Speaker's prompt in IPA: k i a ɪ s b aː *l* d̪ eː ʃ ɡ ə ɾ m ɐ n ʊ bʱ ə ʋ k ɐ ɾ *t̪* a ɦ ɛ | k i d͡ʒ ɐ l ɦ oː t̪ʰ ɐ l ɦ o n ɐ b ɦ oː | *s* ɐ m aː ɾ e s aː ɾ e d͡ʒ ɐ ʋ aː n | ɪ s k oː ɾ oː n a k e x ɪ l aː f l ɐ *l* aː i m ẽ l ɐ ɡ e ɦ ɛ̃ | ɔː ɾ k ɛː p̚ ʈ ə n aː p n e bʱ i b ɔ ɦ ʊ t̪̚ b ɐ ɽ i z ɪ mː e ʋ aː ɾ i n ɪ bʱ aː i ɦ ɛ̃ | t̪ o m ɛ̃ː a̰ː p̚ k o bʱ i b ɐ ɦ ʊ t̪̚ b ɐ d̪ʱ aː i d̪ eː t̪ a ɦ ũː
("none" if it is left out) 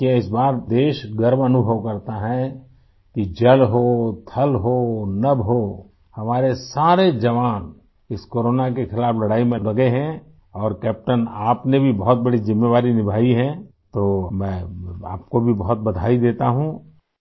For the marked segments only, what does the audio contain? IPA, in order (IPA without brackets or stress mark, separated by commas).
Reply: ɾ, t̪, h, ɽ